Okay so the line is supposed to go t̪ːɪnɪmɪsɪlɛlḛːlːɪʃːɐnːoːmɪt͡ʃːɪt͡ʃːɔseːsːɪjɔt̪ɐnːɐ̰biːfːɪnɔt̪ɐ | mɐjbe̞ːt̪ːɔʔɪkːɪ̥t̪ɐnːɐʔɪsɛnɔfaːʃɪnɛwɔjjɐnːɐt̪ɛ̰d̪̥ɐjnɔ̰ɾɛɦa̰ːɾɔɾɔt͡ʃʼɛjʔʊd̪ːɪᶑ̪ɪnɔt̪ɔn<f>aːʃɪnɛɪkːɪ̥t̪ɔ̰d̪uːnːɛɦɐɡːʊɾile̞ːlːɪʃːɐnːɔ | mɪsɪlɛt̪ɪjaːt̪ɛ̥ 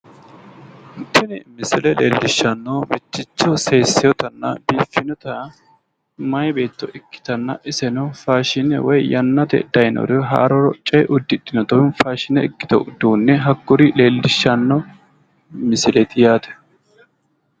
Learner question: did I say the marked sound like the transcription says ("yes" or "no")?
yes